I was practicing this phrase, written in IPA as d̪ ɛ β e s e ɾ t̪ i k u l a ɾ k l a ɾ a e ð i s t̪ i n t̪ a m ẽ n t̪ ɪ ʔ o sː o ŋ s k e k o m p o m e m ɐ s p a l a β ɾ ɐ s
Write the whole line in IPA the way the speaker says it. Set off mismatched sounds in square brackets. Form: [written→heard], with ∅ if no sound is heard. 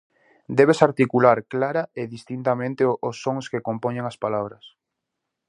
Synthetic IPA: d̪ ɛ β e s [e→a] ɾ t̪ i k u l a ɾ k l a ɾ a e ð i s t̪ i n t̪ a m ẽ n t̪ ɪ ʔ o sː o ŋ s k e k o m p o [m→ɲ] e [m→ŋ] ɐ s p a l a β ɾ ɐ s